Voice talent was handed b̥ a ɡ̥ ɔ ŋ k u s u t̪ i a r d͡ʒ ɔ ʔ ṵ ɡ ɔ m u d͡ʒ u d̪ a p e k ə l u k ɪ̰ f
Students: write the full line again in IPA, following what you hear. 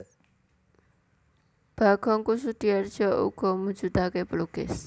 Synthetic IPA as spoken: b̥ a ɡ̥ ɔ ŋ k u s u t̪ i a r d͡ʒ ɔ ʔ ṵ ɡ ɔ m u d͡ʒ u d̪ a k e p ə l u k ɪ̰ s